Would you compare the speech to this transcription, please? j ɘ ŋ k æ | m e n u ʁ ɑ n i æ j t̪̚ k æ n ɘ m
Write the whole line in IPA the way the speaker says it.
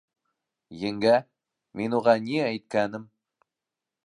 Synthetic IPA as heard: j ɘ ŋ ɡ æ | m e n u ʁ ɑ n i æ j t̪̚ k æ n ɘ m